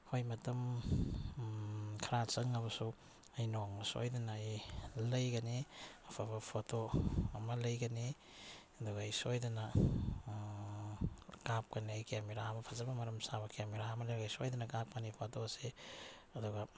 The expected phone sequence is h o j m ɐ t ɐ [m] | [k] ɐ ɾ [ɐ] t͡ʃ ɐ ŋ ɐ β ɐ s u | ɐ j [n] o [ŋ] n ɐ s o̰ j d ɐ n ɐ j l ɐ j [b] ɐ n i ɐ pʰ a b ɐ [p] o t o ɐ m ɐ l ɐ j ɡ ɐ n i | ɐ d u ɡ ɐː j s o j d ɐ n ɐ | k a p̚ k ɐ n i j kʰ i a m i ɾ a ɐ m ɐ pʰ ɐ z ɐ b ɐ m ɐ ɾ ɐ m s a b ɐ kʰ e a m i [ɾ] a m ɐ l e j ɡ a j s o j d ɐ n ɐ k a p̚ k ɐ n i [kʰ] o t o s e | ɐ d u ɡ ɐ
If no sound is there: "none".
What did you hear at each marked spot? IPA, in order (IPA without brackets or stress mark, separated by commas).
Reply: m, kʰ, a, n, ŋ, ɡ, pʰ, ɾ, pʰ